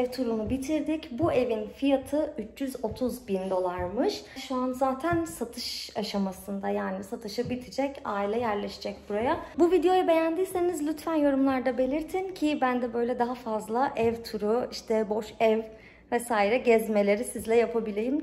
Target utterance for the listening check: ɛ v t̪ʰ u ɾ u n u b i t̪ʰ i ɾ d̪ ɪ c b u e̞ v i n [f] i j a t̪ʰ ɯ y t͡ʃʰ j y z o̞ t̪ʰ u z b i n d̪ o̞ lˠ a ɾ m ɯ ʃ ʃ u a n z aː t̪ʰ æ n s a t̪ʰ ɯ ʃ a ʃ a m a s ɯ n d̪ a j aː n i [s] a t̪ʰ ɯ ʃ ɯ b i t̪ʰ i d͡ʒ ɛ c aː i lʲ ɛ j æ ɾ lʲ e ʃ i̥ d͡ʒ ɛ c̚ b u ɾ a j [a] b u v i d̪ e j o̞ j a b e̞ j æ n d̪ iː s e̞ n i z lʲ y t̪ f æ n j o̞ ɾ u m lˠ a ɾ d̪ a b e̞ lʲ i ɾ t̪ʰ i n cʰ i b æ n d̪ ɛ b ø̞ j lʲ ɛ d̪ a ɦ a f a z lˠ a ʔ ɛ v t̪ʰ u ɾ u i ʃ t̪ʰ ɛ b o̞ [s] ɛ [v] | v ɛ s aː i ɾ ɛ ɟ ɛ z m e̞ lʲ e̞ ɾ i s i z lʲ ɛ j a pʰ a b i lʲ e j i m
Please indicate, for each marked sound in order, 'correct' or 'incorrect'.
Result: correct, correct, correct, incorrect, correct

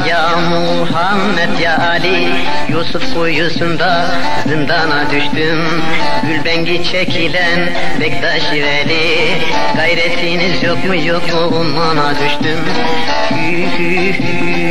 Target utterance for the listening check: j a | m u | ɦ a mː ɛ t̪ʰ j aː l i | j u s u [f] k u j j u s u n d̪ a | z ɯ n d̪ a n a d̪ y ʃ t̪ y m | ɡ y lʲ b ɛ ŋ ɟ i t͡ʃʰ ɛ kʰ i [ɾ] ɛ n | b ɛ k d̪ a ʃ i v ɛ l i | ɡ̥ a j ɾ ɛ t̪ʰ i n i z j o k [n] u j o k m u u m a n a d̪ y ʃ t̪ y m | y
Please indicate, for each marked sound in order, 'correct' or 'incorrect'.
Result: correct, incorrect, incorrect

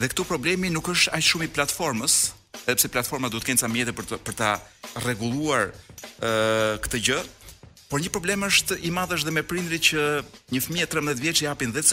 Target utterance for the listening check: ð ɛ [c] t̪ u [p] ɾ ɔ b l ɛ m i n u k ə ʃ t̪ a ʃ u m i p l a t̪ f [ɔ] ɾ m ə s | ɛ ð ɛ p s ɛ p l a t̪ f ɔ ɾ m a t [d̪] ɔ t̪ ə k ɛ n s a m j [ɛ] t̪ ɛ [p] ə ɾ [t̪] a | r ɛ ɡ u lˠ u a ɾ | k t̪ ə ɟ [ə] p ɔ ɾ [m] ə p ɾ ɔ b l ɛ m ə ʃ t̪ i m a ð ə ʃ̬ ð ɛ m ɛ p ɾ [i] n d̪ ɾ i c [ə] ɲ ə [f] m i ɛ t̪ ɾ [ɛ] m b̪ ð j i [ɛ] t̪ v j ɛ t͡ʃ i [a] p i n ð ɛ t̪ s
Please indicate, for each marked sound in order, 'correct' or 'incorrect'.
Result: incorrect, correct, correct, correct, correct, correct, correct, correct, incorrect, correct, correct, correct, correct, correct, correct

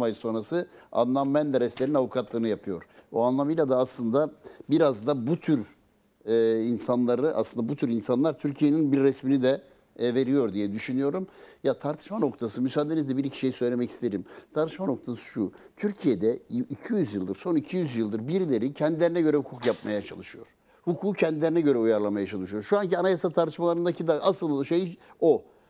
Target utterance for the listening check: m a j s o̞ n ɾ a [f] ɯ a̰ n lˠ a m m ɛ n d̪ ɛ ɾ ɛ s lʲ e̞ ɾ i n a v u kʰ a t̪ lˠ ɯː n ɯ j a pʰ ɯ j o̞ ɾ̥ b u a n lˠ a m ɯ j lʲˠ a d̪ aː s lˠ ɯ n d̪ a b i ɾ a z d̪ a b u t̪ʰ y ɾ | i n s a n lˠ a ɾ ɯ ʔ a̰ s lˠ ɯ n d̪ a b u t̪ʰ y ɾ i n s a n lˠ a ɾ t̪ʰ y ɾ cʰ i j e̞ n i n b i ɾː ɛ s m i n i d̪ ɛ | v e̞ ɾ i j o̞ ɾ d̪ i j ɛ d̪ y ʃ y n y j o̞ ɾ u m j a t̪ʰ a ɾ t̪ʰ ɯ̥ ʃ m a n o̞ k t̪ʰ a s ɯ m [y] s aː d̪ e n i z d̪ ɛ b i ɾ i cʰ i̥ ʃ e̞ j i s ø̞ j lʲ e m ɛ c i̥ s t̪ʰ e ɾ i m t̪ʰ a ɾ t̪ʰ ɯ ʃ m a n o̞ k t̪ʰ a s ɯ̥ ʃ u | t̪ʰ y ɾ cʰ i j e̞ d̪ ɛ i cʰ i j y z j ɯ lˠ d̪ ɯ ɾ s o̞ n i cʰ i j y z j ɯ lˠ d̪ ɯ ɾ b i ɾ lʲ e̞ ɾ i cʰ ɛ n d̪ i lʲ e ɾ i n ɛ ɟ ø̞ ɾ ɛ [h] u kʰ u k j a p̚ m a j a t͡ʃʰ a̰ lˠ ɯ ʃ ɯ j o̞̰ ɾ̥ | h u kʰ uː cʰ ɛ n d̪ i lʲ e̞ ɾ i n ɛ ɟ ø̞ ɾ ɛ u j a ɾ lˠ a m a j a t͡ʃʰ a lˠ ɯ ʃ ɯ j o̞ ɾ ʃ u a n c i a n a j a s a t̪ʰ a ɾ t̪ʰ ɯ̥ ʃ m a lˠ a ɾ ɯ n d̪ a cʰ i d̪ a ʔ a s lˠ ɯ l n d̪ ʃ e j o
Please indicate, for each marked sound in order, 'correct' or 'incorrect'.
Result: incorrect, correct, correct

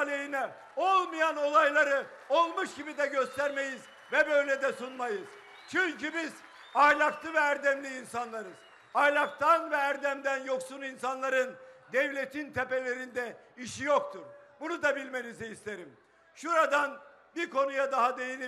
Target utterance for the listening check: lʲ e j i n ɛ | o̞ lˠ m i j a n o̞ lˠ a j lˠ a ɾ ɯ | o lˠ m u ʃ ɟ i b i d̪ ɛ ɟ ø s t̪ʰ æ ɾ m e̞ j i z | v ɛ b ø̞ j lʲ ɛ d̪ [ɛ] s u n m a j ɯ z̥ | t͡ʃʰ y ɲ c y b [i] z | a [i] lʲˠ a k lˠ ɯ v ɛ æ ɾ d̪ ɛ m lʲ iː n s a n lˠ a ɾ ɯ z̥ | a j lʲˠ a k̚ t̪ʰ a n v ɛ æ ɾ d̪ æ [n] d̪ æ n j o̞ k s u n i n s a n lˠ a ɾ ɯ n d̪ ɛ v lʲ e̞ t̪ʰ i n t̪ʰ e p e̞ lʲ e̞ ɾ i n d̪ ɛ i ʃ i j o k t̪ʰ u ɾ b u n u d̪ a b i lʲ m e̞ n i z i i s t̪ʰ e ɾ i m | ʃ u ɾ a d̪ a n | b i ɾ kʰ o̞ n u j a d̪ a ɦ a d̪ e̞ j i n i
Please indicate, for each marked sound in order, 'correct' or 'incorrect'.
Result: correct, correct, incorrect, incorrect

